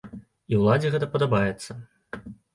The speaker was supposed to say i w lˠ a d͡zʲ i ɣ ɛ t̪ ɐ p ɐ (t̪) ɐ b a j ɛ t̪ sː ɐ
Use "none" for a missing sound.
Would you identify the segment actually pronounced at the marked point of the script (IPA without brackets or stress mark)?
d̪